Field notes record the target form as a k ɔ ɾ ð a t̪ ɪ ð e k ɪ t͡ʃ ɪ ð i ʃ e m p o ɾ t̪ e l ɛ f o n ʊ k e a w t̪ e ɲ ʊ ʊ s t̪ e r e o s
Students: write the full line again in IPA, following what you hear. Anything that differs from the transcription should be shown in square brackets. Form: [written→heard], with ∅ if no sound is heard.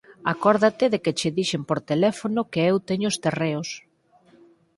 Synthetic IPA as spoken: a k ɔ ɾ ð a t̪ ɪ ð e k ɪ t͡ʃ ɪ ð i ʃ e m p o ɾ t̪ e l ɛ f o n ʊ k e [a→e] w t̪ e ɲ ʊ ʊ s t̪ e r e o s